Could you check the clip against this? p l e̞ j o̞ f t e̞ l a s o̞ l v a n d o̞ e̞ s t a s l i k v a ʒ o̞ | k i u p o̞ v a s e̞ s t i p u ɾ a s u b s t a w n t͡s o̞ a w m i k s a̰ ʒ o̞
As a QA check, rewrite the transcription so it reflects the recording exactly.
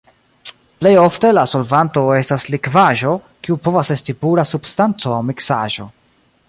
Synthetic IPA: p l e̞ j o̞ f t e̞ l a s o̞ l v a n t o̞ e̞ s t a s l i k v a ʒ o̞ | k i u p o̞ v a s e̞ s t i p u ɾ a s u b s t a n t͡s o̞ a w m i k s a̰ ʒ o̞